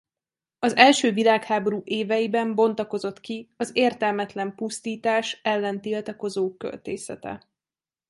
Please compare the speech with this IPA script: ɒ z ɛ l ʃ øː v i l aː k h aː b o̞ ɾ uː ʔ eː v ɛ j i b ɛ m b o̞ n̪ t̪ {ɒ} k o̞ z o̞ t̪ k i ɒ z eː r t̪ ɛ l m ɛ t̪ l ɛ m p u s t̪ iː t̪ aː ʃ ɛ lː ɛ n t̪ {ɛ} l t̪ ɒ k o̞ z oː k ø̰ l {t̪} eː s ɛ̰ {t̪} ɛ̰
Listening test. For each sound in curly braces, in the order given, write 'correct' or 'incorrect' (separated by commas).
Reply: correct, incorrect, correct, correct